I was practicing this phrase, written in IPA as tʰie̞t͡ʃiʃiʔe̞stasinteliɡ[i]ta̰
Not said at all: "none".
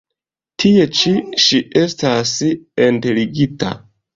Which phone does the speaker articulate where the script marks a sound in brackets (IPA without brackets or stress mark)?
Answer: i